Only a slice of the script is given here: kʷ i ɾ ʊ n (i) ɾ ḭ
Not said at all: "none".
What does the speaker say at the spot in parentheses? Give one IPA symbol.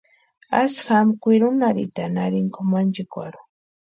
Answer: a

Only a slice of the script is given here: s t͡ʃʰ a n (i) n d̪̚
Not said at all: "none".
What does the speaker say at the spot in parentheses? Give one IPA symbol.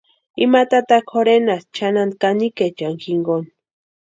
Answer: a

